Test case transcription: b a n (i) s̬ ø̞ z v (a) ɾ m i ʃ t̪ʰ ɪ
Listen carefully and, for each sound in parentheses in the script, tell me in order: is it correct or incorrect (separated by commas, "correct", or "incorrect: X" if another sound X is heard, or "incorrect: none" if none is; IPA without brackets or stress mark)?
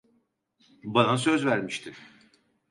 incorrect: a, incorrect: æ